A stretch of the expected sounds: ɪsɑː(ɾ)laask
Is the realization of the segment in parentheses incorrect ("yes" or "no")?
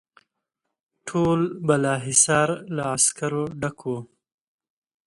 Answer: no